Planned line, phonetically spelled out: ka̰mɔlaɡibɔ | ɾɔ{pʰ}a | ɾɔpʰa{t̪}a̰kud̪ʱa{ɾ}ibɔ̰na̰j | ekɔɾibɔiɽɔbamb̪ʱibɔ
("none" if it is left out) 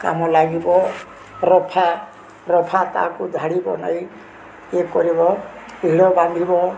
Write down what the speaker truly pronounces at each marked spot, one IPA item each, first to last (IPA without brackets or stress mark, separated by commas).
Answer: pʰ, t̪, ɽ